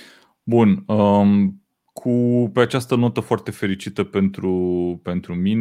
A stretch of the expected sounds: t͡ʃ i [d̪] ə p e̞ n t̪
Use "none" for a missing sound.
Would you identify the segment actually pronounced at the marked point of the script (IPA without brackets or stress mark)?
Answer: t̪